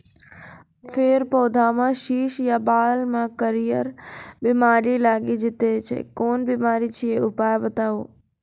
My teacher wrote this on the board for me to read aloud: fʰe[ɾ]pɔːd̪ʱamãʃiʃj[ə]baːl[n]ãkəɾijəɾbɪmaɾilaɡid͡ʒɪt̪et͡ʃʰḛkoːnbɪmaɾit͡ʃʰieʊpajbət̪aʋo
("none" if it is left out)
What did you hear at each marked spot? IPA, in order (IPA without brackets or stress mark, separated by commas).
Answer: ɾ, a, m